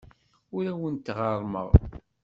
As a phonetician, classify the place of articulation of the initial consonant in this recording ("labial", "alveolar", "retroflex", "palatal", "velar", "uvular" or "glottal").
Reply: alveolar